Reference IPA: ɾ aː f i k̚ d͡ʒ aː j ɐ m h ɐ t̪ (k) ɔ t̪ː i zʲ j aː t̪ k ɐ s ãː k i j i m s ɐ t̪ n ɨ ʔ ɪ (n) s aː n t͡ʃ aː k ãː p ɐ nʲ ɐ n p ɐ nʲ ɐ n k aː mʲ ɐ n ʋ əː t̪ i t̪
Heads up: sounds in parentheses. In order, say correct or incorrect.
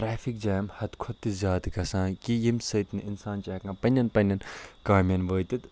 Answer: incorrect, correct

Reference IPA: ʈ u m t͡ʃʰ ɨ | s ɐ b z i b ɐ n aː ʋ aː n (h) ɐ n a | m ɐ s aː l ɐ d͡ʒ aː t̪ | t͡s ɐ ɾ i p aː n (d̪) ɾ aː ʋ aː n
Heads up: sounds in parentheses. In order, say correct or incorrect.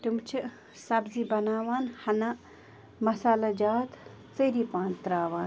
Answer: correct, incorrect

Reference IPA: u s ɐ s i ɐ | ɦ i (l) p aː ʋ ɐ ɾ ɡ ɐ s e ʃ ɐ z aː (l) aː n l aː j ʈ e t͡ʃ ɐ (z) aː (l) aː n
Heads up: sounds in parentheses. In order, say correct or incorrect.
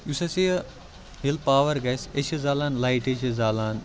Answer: correct, correct, correct, correct

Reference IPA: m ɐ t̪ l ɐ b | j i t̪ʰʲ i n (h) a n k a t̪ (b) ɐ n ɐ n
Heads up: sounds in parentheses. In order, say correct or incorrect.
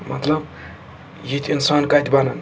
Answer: incorrect, correct

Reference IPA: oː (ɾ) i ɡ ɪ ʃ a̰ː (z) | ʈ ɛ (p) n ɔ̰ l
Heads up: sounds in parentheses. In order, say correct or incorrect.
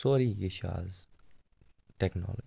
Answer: correct, correct, incorrect

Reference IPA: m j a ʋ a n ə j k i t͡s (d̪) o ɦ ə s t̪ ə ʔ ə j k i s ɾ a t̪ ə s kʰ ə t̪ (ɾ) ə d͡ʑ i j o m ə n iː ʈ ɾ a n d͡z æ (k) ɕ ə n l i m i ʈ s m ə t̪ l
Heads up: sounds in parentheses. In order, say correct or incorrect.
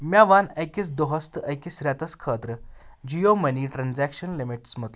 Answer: correct, correct, correct

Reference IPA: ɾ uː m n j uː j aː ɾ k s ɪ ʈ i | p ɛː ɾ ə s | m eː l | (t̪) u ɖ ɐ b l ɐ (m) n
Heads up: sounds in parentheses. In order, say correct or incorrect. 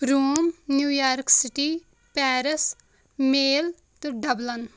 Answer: correct, incorrect

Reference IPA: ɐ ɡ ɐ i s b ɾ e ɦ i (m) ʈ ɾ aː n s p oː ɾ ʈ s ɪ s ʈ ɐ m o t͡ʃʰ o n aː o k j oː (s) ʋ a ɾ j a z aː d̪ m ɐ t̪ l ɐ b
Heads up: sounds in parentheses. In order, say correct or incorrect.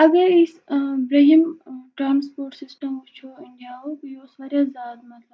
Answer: correct, correct

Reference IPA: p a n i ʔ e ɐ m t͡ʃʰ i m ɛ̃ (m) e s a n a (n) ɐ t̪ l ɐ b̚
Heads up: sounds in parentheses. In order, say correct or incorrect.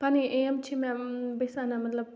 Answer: incorrect, incorrect

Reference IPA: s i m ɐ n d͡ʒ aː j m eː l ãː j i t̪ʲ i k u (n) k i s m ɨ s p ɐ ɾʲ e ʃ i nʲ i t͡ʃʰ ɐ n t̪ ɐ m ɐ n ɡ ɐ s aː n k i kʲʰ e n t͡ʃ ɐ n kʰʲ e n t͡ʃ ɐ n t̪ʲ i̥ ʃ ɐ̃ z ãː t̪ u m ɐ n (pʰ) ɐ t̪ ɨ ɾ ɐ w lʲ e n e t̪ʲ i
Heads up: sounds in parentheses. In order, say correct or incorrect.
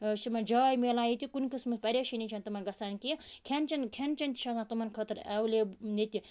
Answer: correct, incorrect

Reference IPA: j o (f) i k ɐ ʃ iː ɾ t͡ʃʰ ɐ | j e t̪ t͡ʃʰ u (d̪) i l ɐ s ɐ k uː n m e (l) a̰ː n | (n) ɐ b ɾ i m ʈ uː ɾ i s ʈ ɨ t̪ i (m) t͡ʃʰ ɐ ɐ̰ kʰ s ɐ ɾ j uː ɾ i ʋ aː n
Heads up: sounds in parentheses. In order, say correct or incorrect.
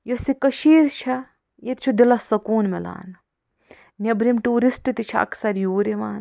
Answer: incorrect, correct, correct, correct, incorrect

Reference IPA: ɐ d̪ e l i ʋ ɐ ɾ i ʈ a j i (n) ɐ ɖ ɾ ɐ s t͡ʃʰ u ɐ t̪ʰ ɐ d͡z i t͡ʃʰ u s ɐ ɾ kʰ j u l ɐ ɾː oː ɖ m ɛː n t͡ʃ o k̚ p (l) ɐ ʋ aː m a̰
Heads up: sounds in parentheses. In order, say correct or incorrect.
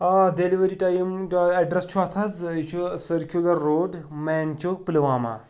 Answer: incorrect, correct

